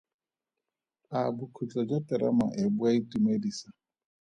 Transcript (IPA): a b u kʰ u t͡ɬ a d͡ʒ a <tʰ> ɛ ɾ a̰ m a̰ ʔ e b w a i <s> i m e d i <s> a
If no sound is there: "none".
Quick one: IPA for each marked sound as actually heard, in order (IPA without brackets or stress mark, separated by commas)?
t, t, s